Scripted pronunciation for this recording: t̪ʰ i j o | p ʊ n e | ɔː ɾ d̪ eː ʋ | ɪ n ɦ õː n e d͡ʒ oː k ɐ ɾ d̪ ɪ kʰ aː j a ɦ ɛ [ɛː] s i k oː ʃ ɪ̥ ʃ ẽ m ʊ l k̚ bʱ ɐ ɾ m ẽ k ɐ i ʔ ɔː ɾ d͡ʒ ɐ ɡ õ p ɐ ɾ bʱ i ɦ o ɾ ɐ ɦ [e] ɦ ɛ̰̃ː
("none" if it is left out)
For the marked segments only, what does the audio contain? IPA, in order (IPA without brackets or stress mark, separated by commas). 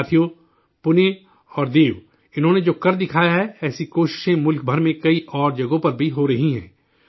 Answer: ɛː, i